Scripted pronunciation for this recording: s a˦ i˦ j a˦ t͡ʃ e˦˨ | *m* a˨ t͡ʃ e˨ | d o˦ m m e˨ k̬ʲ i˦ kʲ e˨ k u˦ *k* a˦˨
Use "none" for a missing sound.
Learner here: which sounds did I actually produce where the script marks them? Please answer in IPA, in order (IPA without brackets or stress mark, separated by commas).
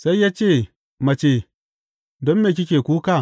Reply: m, k